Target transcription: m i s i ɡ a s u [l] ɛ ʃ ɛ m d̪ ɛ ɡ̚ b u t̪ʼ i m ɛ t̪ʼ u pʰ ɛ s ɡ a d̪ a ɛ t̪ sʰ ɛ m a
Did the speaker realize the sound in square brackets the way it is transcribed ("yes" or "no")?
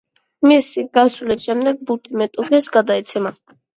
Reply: yes